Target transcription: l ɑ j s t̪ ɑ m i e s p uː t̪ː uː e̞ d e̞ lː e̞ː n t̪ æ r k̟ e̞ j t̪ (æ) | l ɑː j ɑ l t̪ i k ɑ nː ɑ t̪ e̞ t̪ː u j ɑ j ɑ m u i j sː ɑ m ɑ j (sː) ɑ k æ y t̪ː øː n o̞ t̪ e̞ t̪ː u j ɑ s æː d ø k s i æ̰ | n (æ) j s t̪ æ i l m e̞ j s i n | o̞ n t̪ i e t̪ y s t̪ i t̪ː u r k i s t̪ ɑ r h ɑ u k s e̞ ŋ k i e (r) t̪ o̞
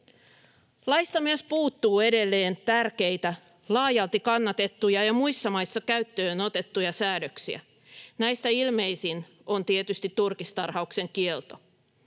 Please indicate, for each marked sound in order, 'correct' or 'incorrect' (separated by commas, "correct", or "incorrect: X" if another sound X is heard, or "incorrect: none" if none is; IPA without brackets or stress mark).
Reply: correct, correct, correct, incorrect: l